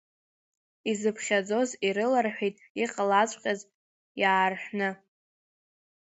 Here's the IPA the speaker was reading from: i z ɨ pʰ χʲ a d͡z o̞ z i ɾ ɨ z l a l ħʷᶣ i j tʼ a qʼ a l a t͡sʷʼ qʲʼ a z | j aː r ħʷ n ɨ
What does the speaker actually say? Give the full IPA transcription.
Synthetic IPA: i z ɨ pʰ χʲ a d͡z o̞ z i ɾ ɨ l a r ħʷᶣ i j tʼ i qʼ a l a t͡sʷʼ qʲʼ a z | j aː r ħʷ n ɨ

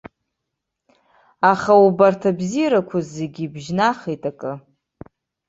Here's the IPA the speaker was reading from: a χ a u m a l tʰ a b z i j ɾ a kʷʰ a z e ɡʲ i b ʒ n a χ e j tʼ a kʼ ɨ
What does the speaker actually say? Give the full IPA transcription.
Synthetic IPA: a χ a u b a r tʰ a b z i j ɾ a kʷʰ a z e ɡʲ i b ʒ n a χ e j tʼ a kʼ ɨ

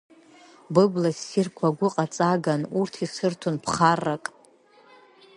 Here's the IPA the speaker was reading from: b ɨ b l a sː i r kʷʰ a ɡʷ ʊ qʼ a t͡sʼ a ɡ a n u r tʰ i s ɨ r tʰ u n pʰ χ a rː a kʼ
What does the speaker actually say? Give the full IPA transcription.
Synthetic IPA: b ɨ b l a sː i r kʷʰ a ɡʷ ʊ qʼ a t͡sʼ a ɡ a n u r tʰ i s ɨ r tʰ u n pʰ χ a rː a kʼ

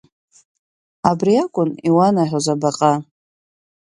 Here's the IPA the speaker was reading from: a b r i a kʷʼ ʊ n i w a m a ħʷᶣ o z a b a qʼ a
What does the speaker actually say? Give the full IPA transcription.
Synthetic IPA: a b r i a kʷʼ ʊ n i w a n a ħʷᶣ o z a b a qʼ a

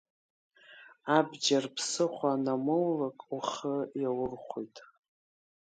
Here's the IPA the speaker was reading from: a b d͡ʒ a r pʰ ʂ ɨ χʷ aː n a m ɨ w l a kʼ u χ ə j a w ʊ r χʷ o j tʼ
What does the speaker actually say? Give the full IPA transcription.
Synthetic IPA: a b d͡ʒ a r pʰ s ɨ χʷ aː n a m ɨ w l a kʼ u χ ə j a w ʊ r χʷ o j tʼ

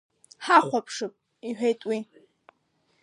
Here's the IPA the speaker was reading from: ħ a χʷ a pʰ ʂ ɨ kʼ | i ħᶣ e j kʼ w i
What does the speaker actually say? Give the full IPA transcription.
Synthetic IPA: ħ a χʷ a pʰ ʂ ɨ pʼ | i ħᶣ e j tʼ w i

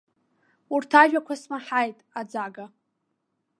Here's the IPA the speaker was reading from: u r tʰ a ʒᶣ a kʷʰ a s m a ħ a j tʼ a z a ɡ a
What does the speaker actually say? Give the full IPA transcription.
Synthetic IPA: u r tʰ a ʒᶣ a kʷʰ a s m a ħ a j tʼ a d͡z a ɡ a

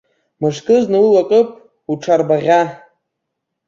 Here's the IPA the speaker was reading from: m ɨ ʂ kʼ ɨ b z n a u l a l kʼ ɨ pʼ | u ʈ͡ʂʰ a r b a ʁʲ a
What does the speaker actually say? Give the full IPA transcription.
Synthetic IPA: m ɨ ʂ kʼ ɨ z n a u l a kʼ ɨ pʼ | u ʈ͡ʂʰ a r b a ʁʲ a

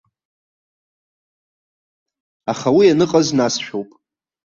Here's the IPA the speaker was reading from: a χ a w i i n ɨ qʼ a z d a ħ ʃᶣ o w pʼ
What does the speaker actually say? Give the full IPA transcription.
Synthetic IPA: a χ a w i a n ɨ qʼ a z n a s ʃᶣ o w pʼ

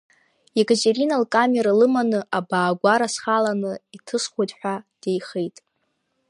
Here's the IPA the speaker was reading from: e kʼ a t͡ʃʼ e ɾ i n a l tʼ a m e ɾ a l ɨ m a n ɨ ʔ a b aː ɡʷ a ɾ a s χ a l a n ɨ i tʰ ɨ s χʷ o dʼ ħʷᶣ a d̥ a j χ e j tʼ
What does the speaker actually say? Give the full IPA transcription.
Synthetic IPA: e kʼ a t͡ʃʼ e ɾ i n a l kʼ a m e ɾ a l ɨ m a n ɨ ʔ a b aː ɡʷ a ɾ a s χ a l a n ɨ i tʰ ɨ s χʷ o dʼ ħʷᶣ a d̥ e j χ e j tʼ

